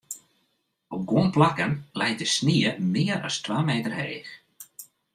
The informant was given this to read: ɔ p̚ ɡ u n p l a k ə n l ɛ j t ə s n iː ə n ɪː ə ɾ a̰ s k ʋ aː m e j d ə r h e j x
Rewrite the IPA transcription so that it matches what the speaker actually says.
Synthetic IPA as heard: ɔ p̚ ɡ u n p l a k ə n l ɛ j t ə s n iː ə m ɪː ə ɾ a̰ s t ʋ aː m e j t ə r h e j x